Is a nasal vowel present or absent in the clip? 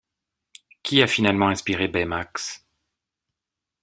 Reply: present